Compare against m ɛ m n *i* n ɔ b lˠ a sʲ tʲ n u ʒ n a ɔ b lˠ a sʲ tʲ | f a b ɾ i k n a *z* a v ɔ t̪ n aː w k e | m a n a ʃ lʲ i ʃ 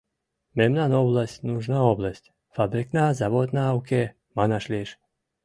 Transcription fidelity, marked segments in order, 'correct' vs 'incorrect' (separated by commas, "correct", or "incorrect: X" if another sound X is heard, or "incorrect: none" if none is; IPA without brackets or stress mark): incorrect: a, correct